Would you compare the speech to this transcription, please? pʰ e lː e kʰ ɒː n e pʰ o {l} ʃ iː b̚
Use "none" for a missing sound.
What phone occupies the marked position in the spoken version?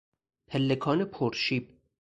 ɾ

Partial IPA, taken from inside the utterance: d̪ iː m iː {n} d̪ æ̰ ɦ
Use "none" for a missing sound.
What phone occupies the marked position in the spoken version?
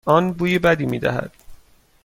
none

